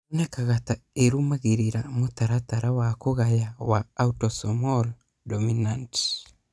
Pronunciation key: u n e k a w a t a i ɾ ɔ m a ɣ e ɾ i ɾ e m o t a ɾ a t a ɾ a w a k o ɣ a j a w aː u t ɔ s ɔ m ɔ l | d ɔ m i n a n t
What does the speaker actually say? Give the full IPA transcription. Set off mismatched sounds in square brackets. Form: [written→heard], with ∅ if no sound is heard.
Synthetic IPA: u n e k a [w→ɣ] a t a [i→e] ɾ [ɔ→u] m a ɣ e ɾ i ɾ [e→a] m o t a ɾ a t a ɾ a w a k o ɣ a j a w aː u t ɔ s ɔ m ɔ l | d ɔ m i n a n t